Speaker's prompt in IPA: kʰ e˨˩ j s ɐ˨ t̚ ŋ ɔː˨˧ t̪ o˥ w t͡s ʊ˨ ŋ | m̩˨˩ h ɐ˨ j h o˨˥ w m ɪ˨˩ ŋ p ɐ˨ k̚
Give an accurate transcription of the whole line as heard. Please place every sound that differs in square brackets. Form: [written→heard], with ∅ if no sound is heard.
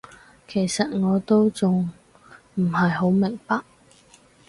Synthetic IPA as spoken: kʰ e˨˩ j s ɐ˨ t̚ ŋ ɔː˨˧ t̪ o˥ w t͡s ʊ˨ ŋ | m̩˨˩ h ɐ˨ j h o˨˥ w m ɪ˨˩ ŋ p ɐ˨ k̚

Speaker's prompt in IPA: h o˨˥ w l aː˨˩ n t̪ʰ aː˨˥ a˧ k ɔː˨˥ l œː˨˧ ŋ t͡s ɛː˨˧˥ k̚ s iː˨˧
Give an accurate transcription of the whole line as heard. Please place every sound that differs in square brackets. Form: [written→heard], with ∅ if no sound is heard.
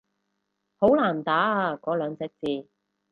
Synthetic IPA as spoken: h o˨˥ w l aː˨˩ n [t̪ʰ→t̪] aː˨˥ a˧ k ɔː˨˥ l œː˨˧ ŋ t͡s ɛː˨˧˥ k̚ [s→t͡s] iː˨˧

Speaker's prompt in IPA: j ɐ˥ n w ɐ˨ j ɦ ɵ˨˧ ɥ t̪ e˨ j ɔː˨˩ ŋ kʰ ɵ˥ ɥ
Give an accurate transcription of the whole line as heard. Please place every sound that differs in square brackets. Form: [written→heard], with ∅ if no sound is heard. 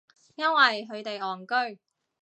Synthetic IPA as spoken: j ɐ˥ n w ɐ˨ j ɦ ɵ˨˧ ɥ t̪ e˨ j ɔː˨˩ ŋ [kʰ→k] ɵ˥ ɥ

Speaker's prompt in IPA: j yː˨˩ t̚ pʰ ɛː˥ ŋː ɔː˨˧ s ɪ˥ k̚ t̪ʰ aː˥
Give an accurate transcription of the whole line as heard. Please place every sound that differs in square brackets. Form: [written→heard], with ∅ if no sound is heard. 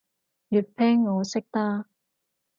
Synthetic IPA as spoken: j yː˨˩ t̚ pʰ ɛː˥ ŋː ɔː˨˧ s ɪ˥ k̚ [t̪ʰ→t̪] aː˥

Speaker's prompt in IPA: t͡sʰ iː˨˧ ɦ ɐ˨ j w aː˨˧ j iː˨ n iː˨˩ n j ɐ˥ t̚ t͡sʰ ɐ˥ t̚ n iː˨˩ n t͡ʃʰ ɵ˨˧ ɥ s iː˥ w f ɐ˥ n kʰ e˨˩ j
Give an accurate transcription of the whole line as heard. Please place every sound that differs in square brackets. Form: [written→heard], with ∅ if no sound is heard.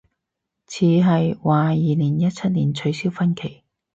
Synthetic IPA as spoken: t͡sʰ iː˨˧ ɦ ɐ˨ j w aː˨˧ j iː˨ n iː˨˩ n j ɐ˥ t̚ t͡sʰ ɐ˥ t̚ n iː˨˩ n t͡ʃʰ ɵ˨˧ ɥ s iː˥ w f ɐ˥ n kʰ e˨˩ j

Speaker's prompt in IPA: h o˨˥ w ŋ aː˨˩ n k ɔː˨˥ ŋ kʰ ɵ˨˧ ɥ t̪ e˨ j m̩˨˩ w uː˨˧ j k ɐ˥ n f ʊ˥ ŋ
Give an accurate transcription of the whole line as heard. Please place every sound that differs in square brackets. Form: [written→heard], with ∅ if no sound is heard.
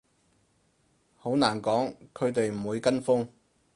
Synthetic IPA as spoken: h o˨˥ w [ŋ→n] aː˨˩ n k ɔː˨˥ ŋ kʰ ɵ˨˧ ɥ t̪ e˨ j m̩˨˩ w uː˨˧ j k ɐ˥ n f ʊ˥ ŋ

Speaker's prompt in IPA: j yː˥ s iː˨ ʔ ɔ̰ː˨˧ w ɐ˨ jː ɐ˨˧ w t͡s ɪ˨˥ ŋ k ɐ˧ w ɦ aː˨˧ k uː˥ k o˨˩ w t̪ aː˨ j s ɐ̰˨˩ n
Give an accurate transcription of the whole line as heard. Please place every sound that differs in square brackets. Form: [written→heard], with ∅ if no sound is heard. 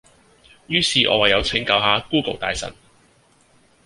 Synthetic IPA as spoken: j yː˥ s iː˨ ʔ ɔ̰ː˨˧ w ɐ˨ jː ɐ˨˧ w [t͡s→t͡sʰ] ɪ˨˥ ŋ k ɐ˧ w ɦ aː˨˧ k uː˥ k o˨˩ w t̪ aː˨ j s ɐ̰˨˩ n

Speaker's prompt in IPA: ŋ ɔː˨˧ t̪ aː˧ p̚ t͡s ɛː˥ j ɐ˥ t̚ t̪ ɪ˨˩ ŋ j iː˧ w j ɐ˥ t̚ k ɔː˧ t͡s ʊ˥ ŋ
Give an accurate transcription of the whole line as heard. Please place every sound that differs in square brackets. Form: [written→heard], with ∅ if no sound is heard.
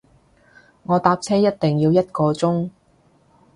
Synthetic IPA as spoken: ŋ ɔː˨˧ t̪ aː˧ p̚ [t͡s→t͡sʰ] ɛː˥ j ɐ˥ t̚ t̪ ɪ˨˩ ŋ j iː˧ w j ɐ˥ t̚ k ɔː˧ t͡s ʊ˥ ŋ

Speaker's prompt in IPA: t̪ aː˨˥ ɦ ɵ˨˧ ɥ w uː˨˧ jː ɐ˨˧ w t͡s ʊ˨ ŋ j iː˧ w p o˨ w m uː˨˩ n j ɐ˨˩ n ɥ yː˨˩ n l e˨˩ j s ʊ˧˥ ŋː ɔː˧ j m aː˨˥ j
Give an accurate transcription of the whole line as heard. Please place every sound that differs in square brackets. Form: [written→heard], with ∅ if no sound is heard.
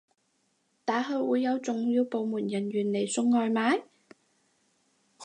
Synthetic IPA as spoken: t̪ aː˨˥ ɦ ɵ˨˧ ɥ w uː˨˧ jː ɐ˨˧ w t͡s ʊ˨ ŋ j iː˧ w p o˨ w m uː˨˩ n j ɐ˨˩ n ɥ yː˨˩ n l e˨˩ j s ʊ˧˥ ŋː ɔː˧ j m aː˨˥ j

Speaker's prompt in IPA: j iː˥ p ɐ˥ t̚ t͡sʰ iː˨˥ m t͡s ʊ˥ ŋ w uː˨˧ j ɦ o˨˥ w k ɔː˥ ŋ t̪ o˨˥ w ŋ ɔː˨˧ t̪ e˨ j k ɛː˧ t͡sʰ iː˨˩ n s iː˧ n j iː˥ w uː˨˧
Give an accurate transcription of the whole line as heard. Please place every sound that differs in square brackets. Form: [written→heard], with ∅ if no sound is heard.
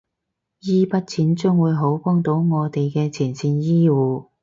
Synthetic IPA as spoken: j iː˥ p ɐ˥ t̚ t͡sʰ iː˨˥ [m→n] t͡s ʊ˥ ŋ w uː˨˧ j ɦ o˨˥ w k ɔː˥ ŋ t̪ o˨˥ w ŋ ɔː˨˧ t̪ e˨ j k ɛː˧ t͡sʰ iː˨˩ n s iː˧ n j iː˥ w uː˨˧

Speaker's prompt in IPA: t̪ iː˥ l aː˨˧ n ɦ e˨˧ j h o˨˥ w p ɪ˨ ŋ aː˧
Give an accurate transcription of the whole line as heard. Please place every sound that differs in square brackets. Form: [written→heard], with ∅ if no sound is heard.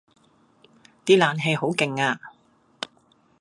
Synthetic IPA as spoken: t̪ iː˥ l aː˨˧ n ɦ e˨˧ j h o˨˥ w [p→k] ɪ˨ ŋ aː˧

